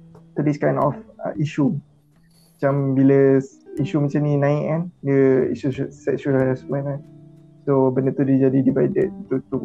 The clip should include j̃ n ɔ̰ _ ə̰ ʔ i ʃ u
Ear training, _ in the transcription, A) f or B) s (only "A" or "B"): A